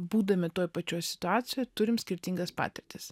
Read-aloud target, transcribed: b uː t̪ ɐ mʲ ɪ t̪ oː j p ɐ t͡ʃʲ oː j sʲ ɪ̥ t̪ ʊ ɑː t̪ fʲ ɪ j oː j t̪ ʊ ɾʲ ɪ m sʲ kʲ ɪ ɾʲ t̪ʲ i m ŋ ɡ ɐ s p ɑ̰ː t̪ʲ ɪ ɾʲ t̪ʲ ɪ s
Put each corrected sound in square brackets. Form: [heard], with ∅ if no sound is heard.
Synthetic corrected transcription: b uː [d̪] ɐ mʲ ɪ t̪ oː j p ɐ t͡ʃʲ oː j sʲ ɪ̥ t̪ ʊ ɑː t̪ [sʲ] ɪ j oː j t̪ ʊ ɾʲ ɪ m sʲ kʲ ɪ ɾʲ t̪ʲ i [∅] ŋ ɡ ɐ s p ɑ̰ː t̪ʲ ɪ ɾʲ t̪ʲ ɪ s

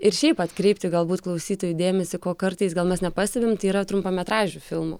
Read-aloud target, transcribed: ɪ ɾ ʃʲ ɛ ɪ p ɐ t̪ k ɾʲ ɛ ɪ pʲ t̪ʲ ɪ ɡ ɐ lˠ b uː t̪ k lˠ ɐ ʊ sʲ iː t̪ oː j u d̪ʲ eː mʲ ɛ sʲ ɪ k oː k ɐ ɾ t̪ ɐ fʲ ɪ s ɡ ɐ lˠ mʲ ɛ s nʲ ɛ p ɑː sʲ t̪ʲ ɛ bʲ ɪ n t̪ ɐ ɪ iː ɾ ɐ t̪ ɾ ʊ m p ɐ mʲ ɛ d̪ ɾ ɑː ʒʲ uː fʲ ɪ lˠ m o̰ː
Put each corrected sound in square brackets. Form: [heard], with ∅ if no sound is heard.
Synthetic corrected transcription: ɪ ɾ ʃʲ ɛ ɪ p ɐ t̪ k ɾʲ ɛ ɪ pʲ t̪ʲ ɪ ɡ ɐ lˠ b uː t̪ k lˠ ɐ ʊ sʲ iː t̪ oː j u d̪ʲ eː mʲ ɛ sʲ ɪ k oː k ɐ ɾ t̪ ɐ [∅] ɪ s ɡ ɐ lˠ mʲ ɛ s nʲ ɛ p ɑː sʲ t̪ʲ ɛ bʲ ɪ [m] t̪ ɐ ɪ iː ɾ ɐ t̪ ɾ ʊ m p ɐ mʲ ɛ [t̪] ɾ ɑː ʒʲ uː fʲ ɪ lˠ m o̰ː

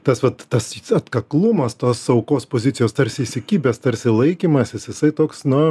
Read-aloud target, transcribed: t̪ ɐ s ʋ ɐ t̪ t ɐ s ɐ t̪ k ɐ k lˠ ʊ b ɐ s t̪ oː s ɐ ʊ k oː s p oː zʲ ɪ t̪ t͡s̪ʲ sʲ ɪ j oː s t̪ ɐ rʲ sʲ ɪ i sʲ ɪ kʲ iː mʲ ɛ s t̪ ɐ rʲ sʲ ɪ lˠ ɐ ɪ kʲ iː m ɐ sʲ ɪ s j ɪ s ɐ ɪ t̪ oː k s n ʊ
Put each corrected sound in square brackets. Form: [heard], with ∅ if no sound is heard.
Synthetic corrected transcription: t̪ ɐ s ʋ ɐ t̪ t ɐ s ɐ t̪ k ɐ k lˠ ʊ [m] ɐ s t̪ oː s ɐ ʊ k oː s p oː zʲ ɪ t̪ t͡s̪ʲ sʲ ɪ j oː s t̪ ɐ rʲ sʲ ɪ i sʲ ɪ kʲ iː [bʲ] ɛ s t̪ ɐ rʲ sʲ ɪ lˠ ɐ ɪ kʲ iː m ɐ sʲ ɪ s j ɪ s ɐ ɪ t̪ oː k s n ʊ

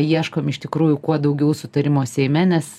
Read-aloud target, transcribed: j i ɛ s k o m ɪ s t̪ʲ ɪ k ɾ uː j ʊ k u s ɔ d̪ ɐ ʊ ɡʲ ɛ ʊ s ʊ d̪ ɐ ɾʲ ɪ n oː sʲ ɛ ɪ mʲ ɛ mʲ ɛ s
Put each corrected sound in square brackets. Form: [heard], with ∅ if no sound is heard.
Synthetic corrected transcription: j i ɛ [ʃ] k o m ɪ [ʃ] t̪ʲ ɪ k ɾ uː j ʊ k u [∅] ɔ d̪ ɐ ʊ ɡʲ ɛ ʊ s ʊ [t̪] ɐ ɾʲ ɪ [m] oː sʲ ɛ ɪ mʲ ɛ [nʲ] ɛ s

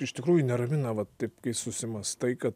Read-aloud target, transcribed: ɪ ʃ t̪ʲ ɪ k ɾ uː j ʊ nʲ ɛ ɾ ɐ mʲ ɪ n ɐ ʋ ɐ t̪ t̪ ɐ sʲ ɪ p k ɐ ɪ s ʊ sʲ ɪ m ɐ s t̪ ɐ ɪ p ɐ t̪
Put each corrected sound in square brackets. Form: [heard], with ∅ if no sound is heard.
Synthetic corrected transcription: ɪ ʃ t̪ʲ ɪ k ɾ uː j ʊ nʲ ɛ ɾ ɐ mʲ ɪ n ɐ ʋ ɐ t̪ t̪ ɐ [∅] ɪ p k ɐ ɪ s ʊ sʲ ɪ m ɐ s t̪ ɐ ɪ [k] ɐ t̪

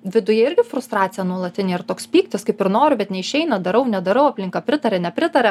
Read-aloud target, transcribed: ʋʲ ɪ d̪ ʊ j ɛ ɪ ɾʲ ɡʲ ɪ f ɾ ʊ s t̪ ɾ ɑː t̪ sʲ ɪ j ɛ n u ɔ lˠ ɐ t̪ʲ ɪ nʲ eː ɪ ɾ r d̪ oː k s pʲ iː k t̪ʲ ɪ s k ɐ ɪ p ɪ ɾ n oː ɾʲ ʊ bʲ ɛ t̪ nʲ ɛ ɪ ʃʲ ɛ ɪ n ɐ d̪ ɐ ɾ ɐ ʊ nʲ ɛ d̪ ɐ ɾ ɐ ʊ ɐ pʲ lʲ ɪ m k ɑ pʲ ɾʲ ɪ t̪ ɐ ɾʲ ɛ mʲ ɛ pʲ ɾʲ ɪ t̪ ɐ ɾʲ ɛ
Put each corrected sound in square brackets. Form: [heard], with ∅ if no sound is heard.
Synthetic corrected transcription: ʋʲ ɪ d̪ ʊ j ɛ ɪ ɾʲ ɡʲ ɪ f ɾ ʊ s t̪ ɾ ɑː t̪ sʲ ɪ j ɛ n u ɔ lˠ ɐ t̪ʲ ɪ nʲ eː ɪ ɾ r [t̪] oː k s pʲ iː k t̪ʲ ɪ s k ɐ ɪ p ɪ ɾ n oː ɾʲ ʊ bʲ ɛ t̪ nʲ ɛ ɪ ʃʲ ɛ ɪ n ɐ d̪ ɐ ɾ ɐ ʊ nʲ ɛ d̪ ɐ ɾ ɐ ʊ ɐ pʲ lʲ ɪ [ŋ] k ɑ pʲ ɾʲ ɪ t̪ ɐ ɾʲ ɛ [nʲ] ɛ pʲ ɾʲ ɪ t̪ ɐ ɾʲ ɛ

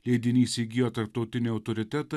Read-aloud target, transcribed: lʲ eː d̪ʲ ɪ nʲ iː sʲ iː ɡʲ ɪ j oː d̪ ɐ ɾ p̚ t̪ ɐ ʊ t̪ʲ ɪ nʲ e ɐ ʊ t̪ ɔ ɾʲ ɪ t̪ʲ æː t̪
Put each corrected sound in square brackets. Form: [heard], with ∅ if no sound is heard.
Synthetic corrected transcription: lʲ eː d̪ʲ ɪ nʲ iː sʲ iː ɡʲ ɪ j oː [t̪] ɐ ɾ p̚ t̪ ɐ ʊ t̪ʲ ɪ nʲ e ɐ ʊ t̪ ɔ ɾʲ ɪ t̪ʲ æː t̪

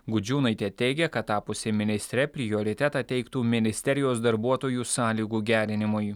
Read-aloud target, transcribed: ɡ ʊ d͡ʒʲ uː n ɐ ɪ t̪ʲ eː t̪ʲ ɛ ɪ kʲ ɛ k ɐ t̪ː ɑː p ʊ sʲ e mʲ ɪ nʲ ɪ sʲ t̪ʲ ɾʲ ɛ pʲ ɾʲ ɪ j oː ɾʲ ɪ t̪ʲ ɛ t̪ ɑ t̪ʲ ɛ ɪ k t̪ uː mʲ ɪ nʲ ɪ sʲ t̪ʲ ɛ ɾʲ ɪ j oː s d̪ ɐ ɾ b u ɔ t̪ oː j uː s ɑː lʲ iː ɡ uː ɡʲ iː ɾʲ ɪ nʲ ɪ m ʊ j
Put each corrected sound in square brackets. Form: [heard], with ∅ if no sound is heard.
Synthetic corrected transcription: ɡ ʊ d͡ʒʲ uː n ɐ ɪ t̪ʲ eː t̪ʲ ɛ ɪ [ɡʲ] ɛ k ɐ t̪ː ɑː p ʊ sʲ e mʲ ɪ nʲ ɪ sʲ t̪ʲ ɾʲ ɛ pʲ ɾʲ ɪ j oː ɾʲ ɪ t̪ʲ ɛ t̪ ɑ t̪ʲ ɛ ɪ k t̪ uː mʲ ɪ nʲ ɪ sʲ t̪ʲ ɛ ɾʲ ɪ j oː s d̪ ɐ ɾ b u ɔ t̪ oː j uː s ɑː lʲ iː ɡ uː ɡʲ [æː] ɾʲ ɪ nʲ ɪ m ʊ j

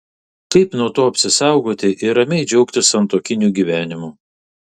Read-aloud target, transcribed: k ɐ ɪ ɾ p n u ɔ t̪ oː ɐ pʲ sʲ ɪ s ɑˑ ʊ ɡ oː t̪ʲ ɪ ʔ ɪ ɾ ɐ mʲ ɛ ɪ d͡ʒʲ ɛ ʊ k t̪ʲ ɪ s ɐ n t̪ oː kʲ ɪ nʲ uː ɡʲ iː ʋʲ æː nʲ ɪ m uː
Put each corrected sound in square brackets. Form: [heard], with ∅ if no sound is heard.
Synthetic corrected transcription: k ɐ ɪ [∅] p n u ɔ t̪ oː ɐ pʲ sʲ ɪ s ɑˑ ʊ ɡ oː t̪ʲ ɪ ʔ ɪ ɾ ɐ mʲ ɛ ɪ d͡ʒʲ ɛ ʊ k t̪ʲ ɪ s ɐ n t̪ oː kʲ ɪ nʲ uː ɡʲ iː ʋʲ æː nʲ ɪ m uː

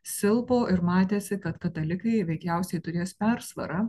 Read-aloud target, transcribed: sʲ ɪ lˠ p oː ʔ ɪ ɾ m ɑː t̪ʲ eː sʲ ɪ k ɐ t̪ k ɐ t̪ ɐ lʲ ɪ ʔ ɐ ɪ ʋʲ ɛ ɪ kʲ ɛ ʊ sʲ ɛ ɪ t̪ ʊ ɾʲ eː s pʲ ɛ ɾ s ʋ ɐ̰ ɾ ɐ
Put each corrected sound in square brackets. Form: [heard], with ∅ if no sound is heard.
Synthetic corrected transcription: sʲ ɪ lˠ p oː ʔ ɪ ɾ m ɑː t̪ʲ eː sʲ ɪ k ɐ t̪ k ɐ t̪ ɐ lʲ ɪ [k] ɐ ɪ ʋʲ ɛ ɪ kʲ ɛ ʊ sʲ ɛ ɪ t̪ ʊ ɾʲ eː s pʲ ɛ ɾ s ʋ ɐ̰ ɾ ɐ

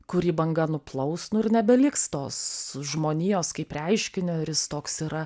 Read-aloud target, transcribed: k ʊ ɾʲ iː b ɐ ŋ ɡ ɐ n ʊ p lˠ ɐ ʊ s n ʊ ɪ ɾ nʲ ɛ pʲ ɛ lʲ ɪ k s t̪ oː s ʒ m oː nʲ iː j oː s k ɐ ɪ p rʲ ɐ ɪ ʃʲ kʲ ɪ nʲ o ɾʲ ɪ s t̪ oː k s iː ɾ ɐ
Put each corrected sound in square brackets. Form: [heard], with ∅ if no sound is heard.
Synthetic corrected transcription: k ʊ ɾʲ iː b ɐ ŋ ɡ ɐ n ʊ p lˠ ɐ ʊ s n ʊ ɪ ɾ nʲ ɛ [bʲ] ɛ lʲ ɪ k s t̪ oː s ʒ m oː nʲ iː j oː s k ɐ ɪ p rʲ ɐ ɪ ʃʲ kʲ ɪ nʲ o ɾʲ ɪ s t̪ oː k s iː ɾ ɐ

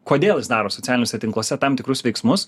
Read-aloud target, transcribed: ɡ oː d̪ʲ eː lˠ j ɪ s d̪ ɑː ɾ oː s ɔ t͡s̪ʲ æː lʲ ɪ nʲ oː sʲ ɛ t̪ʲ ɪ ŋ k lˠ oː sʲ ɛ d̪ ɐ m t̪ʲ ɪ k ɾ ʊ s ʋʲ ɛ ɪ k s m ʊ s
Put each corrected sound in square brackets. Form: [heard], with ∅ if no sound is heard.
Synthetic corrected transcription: [k] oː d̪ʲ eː lˠ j ɪ s d̪ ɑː ɾ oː s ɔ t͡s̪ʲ æː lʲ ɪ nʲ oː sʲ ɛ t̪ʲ ɪ ŋ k lˠ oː sʲ ɛ [t̪] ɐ m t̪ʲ ɪ k ɾ ʊ s ʋʲ ɛ ɪ k s m ʊ s

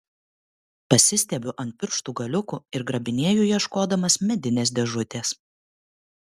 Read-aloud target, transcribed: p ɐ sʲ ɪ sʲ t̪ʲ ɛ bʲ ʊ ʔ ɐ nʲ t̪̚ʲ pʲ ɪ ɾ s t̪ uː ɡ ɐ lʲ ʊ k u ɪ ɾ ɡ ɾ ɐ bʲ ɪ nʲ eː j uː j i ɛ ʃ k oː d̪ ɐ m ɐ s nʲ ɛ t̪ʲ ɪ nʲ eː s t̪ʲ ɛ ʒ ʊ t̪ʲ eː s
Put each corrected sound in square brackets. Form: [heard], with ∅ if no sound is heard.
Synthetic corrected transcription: p ɐ sʲ ɪ sʲ t̪ʲ ɛ bʲ ʊ ʔ ɐ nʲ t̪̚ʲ pʲ ɪ ɾ [ʃ] t̪ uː ɡ ɐ lʲ ʊ k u ɪ ɾ ɡ ɾ ɐ bʲ ɪ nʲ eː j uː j i ɛ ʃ k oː d̪ ɐ m ɐ s [mʲ] ɛ [d̪ʲ] ɪ nʲ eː s [d̪ʲ] ɛ ʒ ʊ t̪ʲ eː s

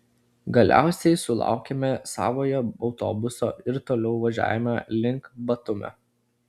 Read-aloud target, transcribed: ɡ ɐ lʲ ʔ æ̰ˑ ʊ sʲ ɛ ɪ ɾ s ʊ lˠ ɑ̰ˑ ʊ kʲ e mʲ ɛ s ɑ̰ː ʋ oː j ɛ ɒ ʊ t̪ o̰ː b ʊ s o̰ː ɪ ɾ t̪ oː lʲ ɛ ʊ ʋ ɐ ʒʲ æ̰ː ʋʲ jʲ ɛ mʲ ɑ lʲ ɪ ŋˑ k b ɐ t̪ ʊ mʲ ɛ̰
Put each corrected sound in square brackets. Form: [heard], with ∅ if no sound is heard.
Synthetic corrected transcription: ɡ ɐ lʲ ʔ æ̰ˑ ʊ sʲ ɛ ɪ [∅] s ʊ lˠ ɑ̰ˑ ʊ kʲ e mʲ ɛ s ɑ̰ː ʋ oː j ɛ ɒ ʊ t̪ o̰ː b ʊ s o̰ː ɪ ɾ t̪ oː lʲ ɛ ʊ ʋ ɐ ʒʲ æ̰ː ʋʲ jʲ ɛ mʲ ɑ lʲ ɪ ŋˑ k b ɐ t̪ ʊ mʲ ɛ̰

